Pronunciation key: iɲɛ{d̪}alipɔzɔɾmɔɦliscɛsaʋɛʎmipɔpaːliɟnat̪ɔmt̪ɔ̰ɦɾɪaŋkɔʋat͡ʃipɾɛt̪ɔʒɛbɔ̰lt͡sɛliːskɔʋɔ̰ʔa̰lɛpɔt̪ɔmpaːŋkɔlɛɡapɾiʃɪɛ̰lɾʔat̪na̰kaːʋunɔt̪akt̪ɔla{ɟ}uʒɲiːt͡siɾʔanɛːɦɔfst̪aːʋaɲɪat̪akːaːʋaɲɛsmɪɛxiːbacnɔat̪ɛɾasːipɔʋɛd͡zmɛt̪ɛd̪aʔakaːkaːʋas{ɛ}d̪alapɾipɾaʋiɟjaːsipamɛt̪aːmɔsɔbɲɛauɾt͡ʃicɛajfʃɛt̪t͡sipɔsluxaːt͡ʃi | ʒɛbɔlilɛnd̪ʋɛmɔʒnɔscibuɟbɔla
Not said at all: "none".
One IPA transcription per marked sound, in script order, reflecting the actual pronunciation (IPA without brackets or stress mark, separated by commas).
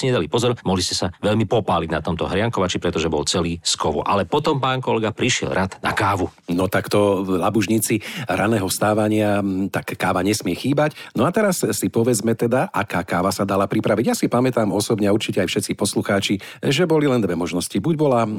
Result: d̪, b, a